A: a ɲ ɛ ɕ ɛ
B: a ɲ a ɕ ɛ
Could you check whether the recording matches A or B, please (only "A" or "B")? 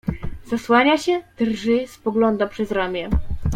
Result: B